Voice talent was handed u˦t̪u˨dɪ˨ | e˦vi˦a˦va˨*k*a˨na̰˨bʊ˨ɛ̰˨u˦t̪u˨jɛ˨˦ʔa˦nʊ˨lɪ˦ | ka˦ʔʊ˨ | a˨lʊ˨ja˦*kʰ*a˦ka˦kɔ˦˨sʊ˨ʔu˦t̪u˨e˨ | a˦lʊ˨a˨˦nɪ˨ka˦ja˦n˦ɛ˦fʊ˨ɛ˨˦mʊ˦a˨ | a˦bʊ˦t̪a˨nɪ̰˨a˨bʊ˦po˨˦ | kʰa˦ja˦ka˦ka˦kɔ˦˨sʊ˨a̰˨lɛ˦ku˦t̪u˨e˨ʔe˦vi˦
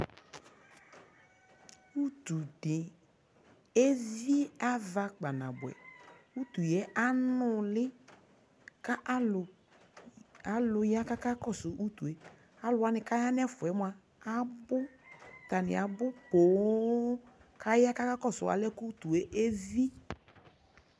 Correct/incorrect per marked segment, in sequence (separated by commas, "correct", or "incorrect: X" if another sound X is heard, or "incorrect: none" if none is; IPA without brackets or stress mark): incorrect: k͡p, incorrect: k